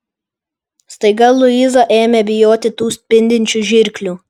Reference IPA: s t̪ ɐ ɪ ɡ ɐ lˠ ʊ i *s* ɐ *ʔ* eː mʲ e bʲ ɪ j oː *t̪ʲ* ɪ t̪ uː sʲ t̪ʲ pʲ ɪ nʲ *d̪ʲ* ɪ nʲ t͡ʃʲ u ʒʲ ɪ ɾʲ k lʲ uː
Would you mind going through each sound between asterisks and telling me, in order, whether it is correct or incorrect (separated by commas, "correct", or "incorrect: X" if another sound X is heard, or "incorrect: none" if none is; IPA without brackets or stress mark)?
incorrect: z, correct, correct, correct